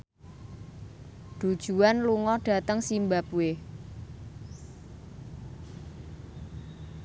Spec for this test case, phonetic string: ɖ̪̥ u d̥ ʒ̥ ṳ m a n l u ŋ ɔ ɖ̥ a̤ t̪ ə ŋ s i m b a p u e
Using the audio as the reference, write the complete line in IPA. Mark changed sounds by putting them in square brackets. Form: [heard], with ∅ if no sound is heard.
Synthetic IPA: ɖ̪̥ u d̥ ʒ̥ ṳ [∅] a n l u ŋ ɔ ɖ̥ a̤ t̪ ə ŋ s i m b a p u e